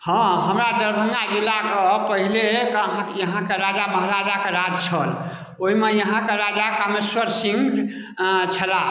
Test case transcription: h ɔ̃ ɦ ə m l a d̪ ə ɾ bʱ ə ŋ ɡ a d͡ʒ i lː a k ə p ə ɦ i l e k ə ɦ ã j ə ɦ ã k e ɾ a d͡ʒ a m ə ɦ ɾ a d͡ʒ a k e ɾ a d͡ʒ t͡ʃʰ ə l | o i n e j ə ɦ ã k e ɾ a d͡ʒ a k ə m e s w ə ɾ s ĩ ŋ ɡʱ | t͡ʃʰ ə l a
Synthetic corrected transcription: h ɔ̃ ɦ ə m ɾ a d̪ ə ɾ bʱ ə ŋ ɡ a d͡ʒ i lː a k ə p ə ɦ i l e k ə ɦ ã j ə ɦ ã k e ɾ a d͡ʒ a m ə ɦ ɾ a d͡ʒ a k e ɾ a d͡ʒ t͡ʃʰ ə l | o i m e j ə ɦ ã k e ɾ a d͡ʒ a k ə m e s w ə ɾ s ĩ ŋ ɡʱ | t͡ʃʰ ə l a